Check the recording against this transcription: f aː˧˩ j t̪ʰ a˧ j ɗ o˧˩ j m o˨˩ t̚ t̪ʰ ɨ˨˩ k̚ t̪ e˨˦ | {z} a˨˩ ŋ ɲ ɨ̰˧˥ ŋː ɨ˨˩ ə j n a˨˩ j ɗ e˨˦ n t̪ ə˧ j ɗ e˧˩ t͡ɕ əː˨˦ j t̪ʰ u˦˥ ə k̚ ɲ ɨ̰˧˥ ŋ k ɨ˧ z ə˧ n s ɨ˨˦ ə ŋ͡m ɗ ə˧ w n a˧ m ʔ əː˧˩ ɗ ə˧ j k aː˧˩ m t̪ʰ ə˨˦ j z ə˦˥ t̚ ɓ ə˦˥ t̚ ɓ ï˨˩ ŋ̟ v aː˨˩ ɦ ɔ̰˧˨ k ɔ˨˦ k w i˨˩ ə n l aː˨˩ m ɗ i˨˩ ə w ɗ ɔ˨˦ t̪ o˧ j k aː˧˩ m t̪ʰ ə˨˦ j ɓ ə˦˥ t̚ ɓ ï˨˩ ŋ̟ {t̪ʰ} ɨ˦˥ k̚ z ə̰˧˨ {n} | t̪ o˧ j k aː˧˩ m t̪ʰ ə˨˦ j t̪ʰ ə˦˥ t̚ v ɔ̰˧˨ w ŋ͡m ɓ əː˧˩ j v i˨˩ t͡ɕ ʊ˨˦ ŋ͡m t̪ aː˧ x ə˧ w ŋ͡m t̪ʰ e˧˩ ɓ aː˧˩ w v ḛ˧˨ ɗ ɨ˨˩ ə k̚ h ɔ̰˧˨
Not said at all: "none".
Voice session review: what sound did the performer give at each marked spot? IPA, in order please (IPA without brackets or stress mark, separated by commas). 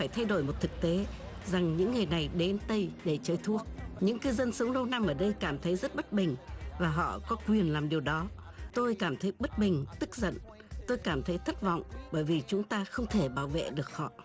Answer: z, t̪, n